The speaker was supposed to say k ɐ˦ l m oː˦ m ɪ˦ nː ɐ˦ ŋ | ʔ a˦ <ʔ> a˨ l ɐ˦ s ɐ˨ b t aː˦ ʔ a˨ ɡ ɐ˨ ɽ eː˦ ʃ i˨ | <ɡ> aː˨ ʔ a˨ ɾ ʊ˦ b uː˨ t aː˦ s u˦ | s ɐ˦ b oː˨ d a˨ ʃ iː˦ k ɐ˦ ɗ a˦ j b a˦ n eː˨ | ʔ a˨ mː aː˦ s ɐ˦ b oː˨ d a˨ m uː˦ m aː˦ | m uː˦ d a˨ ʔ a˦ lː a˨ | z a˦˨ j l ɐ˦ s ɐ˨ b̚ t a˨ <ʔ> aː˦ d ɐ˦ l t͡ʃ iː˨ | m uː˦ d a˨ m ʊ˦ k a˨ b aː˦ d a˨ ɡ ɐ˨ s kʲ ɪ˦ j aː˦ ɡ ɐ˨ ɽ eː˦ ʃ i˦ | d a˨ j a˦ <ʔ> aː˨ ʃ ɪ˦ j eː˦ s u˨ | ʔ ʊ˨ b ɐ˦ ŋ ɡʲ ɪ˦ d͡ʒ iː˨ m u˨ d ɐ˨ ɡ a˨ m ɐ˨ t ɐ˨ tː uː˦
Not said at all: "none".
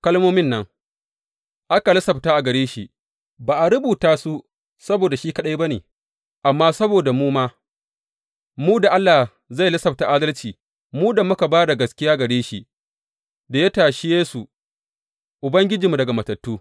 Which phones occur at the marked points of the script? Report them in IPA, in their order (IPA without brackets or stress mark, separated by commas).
k, b, ʔ, t